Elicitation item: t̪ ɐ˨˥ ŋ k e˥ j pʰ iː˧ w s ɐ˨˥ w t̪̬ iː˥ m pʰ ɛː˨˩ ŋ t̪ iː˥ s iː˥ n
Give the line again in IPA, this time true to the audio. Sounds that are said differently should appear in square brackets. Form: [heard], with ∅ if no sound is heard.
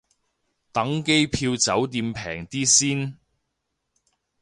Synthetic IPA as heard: t̪ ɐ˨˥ ŋ k e˥ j pʰ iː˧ w [t͡s] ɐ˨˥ w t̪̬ [iː˧] m pʰ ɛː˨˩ ŋ t̪ iː˥ s iː˥ n